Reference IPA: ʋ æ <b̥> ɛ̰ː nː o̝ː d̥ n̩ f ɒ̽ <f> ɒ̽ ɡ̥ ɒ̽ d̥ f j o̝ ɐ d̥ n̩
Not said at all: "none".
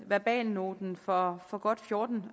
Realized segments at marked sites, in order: b̥, f

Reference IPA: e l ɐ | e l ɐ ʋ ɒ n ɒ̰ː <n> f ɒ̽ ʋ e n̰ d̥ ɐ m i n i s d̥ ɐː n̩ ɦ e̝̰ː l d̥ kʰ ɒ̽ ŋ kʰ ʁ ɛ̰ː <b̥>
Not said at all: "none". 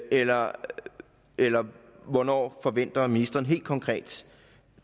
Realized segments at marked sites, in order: none, d̥

